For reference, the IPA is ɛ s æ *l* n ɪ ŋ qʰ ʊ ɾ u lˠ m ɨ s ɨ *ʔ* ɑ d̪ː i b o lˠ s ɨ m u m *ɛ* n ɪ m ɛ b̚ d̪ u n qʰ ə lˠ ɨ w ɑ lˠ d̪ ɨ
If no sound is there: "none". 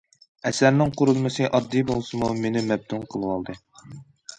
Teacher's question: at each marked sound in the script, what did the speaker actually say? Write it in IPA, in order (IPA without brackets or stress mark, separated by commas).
ɾ, ʔ, e